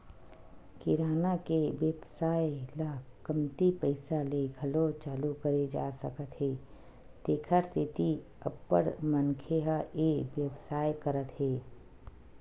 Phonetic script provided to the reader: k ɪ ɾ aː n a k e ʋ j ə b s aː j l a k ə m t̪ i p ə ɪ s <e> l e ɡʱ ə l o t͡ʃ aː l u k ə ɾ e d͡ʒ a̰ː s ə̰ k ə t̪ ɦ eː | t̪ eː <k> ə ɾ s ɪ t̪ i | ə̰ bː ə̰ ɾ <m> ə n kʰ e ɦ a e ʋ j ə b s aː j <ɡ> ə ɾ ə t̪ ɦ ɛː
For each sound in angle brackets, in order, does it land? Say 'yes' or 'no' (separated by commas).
no, no, yes, no